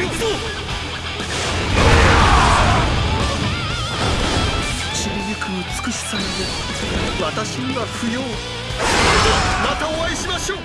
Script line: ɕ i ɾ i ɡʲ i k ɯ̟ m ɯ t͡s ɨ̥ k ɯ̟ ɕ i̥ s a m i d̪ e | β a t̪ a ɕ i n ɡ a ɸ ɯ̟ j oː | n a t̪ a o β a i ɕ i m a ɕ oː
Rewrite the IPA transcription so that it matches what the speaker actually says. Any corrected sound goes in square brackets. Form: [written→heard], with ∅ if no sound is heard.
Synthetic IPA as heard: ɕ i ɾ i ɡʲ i k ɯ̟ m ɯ t͡s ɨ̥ k ɯ̟ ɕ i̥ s a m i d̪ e | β a t̪ a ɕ i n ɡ a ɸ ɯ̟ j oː | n a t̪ a o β a i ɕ i m a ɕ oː